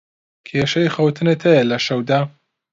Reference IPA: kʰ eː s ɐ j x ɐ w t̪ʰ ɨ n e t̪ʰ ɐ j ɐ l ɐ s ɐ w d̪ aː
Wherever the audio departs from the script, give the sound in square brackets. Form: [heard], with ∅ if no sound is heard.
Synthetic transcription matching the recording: kʰ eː [ʃ] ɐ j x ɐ w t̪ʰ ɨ n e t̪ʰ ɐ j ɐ l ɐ [ʃ] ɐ w d̪ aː